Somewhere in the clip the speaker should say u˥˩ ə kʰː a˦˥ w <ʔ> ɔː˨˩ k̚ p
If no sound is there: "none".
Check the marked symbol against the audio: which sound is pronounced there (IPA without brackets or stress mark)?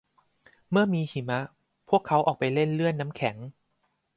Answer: ʔ